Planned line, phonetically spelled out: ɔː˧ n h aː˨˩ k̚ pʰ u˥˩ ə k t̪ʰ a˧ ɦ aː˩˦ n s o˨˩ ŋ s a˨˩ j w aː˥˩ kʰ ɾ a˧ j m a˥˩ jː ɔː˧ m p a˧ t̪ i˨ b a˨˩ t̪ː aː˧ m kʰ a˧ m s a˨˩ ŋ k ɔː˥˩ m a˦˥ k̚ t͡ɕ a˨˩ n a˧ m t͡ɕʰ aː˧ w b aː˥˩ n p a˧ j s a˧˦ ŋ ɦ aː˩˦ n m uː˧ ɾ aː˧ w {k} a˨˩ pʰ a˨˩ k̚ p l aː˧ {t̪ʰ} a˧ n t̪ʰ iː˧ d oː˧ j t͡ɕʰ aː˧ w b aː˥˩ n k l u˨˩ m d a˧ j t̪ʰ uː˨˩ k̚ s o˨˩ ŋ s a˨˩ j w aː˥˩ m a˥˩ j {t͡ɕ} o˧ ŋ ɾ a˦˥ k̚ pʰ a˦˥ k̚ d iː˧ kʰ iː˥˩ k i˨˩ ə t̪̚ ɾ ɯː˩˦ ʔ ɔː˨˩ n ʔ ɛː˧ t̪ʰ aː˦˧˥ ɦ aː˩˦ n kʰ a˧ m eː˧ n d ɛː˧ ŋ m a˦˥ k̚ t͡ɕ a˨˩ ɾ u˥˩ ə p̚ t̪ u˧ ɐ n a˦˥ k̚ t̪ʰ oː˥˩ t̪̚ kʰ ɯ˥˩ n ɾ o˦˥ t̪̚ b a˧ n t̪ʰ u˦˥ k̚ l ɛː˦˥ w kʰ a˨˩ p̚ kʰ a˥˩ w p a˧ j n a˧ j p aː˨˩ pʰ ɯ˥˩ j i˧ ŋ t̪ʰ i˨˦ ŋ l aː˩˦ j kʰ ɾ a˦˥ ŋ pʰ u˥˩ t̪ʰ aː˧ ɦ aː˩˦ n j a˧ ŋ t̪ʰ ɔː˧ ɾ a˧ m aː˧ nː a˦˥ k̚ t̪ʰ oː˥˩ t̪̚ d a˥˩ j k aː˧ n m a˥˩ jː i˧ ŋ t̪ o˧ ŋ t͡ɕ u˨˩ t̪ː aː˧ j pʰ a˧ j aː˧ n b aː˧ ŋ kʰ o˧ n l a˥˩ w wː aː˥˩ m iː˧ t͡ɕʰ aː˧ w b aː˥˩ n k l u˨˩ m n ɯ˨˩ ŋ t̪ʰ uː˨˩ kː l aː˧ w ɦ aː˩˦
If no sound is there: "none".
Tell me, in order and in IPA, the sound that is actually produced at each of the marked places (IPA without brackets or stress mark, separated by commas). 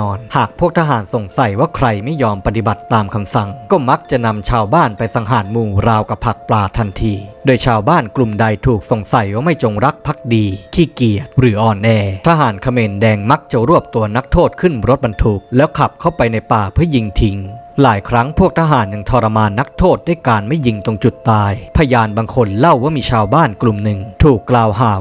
k, t̪ʰ, t͡ɕ